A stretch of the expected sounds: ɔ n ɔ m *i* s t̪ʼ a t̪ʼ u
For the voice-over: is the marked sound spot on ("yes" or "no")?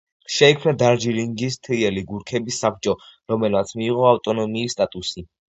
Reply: no